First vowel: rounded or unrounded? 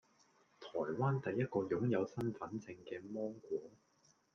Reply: rounded